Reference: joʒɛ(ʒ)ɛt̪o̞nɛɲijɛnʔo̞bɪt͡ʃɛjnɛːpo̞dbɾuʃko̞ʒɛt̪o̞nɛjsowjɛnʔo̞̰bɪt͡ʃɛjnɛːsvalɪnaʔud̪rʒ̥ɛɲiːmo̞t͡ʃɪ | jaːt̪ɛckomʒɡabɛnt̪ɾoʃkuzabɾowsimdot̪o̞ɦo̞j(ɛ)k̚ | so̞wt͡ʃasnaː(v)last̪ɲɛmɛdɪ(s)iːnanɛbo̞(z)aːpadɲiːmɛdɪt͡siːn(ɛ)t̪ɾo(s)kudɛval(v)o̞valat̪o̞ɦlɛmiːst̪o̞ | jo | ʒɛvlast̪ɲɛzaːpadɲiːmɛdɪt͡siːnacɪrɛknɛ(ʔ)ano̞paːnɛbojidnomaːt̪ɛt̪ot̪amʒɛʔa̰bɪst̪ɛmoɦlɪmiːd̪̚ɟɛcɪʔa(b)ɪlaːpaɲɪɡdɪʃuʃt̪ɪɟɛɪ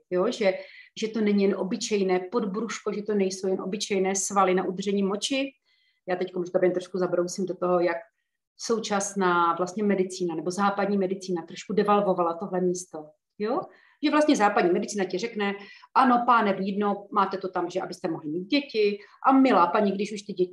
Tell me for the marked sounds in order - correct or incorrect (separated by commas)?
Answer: correct, incorrect, correct, incorrect, correct, incorrect, incorrect, correct, correct, incorrect